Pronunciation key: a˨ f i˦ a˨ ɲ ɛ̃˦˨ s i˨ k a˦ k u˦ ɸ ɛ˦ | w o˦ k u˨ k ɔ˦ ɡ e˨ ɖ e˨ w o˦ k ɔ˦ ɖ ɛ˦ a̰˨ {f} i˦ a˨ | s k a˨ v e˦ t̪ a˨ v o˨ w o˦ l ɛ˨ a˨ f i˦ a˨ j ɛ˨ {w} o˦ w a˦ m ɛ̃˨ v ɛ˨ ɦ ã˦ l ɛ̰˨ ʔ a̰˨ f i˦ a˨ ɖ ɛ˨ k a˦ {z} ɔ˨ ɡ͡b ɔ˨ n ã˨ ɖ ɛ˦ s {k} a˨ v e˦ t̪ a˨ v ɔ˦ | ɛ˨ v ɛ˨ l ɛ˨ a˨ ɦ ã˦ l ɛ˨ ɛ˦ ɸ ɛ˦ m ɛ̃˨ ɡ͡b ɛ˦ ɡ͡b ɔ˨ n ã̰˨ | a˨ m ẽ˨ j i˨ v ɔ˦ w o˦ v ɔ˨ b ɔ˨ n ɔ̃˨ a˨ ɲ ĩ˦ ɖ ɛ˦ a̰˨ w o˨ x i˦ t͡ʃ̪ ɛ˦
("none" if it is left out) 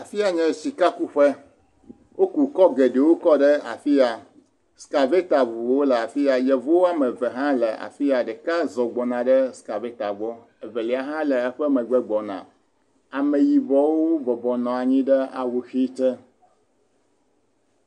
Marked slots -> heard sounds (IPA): f, v, z, k

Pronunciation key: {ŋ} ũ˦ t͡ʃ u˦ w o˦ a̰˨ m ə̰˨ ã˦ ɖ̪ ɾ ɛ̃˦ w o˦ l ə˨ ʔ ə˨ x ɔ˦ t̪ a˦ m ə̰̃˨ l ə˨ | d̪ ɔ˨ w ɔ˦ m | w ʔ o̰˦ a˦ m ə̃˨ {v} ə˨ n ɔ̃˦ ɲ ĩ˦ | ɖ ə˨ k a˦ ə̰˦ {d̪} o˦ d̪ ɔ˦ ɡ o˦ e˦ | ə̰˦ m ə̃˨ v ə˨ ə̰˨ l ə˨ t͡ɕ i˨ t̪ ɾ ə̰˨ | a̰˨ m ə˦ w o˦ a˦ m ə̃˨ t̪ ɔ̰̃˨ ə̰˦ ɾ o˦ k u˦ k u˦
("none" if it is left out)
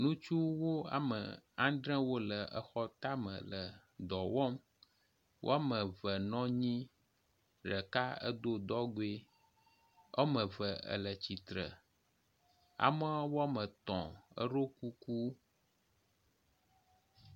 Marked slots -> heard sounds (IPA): n, v, d̪

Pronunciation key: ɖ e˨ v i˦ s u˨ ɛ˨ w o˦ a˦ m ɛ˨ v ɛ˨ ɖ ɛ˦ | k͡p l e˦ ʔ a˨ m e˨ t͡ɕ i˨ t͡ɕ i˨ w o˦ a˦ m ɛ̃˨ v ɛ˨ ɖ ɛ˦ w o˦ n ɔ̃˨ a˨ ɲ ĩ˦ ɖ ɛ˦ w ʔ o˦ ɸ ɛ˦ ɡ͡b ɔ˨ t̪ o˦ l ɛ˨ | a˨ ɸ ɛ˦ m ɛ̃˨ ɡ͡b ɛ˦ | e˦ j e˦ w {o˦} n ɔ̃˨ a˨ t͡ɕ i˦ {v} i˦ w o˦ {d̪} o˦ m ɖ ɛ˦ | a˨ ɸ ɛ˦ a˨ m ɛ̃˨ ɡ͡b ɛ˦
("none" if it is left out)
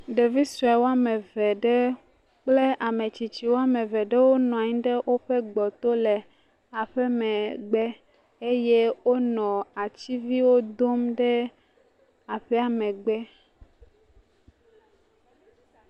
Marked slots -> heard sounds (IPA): o˦, v, d̪

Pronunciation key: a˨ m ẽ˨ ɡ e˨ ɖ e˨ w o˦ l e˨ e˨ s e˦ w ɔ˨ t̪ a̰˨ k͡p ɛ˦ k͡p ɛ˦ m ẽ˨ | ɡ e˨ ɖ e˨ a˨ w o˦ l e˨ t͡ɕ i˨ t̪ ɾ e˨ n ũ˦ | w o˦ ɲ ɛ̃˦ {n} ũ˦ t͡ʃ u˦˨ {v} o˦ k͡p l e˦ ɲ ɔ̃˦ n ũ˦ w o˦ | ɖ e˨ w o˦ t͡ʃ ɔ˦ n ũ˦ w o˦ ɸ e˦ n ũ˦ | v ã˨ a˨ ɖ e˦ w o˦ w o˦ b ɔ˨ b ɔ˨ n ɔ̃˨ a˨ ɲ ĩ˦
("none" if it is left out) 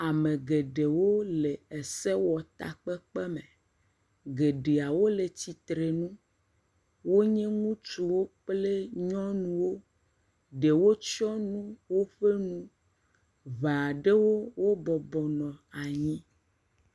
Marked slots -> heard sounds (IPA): ŋ, w

